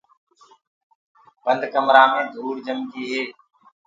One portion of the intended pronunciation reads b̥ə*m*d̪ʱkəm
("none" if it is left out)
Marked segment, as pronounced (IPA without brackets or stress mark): n